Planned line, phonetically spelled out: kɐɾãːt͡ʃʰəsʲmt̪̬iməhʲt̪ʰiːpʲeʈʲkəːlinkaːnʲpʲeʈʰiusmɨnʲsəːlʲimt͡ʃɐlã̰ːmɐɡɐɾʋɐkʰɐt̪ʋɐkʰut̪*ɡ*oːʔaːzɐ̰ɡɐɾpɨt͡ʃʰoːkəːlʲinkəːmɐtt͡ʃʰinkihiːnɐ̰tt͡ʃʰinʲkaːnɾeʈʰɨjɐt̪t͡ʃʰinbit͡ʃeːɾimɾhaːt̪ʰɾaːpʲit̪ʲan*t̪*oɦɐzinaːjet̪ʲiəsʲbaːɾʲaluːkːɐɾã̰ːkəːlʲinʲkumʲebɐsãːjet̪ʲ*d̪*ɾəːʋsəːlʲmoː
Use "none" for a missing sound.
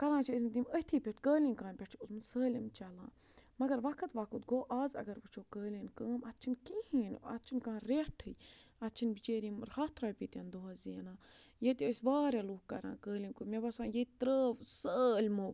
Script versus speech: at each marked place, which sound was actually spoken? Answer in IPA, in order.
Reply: ɡ, d̪, t̪

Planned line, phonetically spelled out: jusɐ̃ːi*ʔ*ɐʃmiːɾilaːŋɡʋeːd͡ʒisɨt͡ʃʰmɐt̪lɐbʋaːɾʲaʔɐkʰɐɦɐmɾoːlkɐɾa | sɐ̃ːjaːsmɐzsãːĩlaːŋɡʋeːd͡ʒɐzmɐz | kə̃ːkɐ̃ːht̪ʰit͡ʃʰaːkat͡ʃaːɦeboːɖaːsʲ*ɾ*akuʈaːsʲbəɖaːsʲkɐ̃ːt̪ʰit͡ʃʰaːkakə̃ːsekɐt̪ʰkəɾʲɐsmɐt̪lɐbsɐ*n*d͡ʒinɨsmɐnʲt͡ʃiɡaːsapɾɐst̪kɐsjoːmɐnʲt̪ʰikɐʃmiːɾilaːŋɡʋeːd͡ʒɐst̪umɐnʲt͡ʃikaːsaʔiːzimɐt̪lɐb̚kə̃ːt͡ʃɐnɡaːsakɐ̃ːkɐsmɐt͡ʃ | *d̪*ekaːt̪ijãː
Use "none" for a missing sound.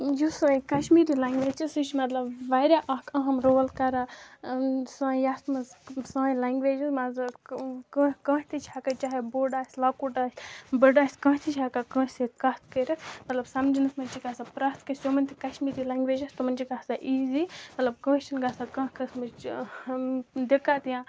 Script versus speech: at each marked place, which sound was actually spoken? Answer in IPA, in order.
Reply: k, l, m, d̪

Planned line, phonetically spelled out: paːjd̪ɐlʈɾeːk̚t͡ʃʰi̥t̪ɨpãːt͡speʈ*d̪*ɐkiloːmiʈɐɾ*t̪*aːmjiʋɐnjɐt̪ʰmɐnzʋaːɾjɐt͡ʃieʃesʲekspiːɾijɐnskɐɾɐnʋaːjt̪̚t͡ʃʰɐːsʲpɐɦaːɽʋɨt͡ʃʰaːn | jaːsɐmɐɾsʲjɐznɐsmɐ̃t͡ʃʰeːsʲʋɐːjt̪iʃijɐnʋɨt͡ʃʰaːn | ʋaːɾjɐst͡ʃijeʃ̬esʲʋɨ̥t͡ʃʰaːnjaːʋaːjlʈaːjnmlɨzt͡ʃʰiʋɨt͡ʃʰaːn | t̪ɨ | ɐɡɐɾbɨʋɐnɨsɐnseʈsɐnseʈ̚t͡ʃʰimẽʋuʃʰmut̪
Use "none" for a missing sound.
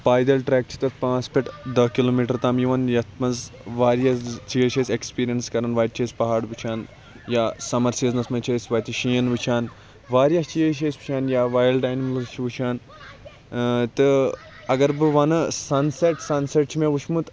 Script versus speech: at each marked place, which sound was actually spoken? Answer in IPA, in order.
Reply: d̪, t̪

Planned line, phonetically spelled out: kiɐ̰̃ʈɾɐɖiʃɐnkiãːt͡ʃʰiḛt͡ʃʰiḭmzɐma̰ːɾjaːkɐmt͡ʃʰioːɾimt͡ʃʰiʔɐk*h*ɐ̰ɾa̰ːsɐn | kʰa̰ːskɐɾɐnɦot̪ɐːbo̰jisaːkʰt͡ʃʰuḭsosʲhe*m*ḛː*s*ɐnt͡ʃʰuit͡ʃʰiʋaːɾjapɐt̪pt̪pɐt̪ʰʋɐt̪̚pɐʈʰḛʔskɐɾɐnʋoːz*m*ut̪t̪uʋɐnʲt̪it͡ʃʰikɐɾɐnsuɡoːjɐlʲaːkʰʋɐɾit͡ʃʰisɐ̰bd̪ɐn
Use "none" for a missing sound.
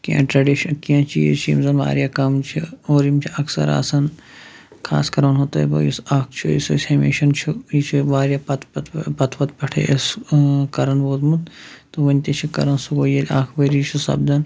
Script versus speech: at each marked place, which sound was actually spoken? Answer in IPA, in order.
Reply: s, m, ʃ, m

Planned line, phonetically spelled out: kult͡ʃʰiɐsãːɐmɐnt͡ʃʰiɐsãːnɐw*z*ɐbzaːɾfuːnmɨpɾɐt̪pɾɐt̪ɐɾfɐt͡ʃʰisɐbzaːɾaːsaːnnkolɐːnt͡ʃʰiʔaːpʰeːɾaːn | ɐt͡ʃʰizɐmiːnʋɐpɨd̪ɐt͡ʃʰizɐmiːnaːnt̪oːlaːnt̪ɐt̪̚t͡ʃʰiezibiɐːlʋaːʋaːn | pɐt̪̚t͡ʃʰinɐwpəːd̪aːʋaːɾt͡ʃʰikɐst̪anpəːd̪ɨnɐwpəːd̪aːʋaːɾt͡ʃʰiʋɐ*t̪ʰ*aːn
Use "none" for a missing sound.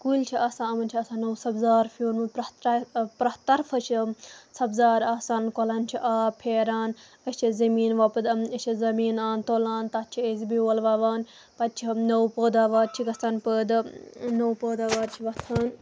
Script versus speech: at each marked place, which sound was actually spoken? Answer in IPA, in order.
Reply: s, t̪ʰ

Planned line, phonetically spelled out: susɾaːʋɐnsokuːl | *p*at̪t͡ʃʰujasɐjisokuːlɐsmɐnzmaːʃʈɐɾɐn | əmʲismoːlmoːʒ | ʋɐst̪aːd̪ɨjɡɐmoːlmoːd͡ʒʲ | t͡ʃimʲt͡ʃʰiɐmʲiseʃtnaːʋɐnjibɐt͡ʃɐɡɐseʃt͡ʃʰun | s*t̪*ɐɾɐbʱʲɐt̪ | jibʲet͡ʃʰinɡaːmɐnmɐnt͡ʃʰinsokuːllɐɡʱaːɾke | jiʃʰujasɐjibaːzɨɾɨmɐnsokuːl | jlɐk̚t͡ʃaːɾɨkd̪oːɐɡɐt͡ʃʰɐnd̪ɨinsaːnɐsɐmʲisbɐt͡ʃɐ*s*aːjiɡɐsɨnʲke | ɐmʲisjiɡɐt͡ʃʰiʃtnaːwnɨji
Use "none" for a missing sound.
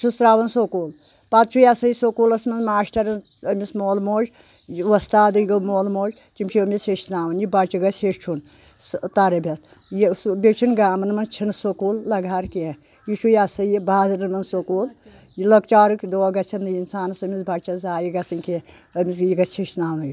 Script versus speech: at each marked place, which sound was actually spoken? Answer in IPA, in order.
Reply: p, t̪, z

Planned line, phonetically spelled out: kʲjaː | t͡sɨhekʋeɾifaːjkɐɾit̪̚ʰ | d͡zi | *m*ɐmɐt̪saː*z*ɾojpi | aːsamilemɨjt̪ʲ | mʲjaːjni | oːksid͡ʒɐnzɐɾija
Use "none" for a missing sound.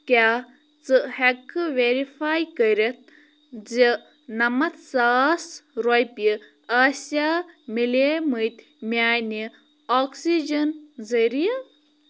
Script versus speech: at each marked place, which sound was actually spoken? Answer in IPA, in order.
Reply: n, s

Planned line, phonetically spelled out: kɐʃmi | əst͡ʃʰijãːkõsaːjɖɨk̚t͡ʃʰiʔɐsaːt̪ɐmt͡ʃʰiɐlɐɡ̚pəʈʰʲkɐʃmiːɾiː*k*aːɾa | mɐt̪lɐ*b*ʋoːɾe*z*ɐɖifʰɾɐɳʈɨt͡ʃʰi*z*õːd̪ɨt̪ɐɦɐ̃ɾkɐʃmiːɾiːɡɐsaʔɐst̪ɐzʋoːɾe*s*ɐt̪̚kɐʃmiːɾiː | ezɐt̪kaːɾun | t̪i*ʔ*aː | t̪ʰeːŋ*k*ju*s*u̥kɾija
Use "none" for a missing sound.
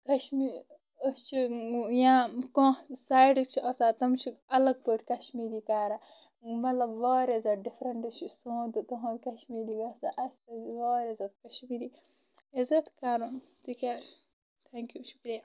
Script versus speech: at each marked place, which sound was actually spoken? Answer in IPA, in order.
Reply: k, b, z, s, z, k, k, ʃ

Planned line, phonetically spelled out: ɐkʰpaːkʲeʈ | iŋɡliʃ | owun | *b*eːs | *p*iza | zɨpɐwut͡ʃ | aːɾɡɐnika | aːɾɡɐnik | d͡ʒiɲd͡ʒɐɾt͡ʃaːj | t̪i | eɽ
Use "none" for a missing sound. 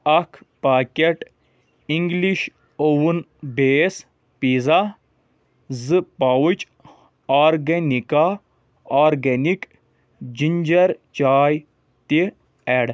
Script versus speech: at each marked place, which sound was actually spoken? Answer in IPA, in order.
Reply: b, p

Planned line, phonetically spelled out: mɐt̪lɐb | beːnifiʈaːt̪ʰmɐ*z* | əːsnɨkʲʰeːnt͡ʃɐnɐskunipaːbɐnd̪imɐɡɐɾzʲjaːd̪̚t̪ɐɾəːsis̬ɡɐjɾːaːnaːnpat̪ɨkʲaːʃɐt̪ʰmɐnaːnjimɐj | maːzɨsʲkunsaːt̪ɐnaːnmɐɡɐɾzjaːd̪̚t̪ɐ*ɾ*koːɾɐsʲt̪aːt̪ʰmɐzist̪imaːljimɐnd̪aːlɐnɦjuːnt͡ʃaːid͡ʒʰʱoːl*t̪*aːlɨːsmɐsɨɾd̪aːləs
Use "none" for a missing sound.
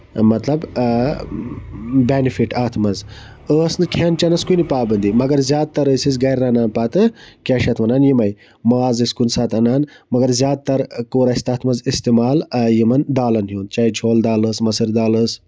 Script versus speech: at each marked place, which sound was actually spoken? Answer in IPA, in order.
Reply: z, ɾ, d̪

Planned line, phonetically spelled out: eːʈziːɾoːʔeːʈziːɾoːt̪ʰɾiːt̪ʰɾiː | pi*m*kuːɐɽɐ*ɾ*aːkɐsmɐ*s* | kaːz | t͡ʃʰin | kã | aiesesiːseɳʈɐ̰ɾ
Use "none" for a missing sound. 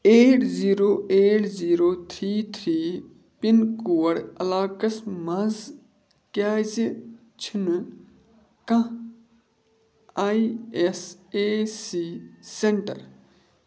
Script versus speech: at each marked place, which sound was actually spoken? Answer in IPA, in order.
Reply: n, l, z

